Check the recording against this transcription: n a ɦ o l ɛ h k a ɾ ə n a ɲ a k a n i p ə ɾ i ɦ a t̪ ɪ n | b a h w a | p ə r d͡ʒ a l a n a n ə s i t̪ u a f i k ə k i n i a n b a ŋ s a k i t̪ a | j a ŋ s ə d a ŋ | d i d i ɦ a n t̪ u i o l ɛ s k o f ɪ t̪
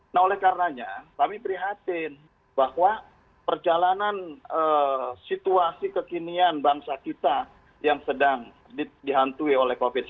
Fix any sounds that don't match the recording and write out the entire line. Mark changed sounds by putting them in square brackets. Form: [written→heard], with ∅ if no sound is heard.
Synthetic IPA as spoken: n a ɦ o l ɛ h k a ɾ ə n a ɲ a k a [n→m] i p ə ɾ i ɦ a t̪ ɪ n | b a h w a | p ə r d͡ʒ a l a n a n ə s i t̪ u a [f→s] i k ə k i n i a n b a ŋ s a k i t̪ a | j a ŋ s ə d a ŋ | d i d i ɦ a n t̪ u i o l ɛ [s→h] k o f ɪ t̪